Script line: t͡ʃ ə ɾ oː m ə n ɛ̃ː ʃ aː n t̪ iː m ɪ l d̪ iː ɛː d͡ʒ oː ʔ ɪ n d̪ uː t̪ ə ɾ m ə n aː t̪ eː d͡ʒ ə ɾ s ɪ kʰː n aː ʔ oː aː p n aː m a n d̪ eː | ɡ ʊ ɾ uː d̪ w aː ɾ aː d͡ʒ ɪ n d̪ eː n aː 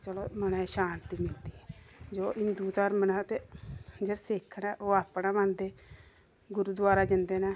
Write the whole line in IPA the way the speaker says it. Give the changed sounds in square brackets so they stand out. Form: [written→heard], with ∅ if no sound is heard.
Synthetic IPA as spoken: t͡ʃ ə [ɾ→l] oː m ə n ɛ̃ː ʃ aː n t̪ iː m ɪ l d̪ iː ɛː d͡ʒ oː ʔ ɪ n d̪ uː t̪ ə ɾ m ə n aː t̪ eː d͡ʒ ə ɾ s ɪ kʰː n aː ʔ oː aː p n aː m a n d̪ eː | ɡ ʊ ɾ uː d̪ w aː ɾ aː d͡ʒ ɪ n d̪ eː n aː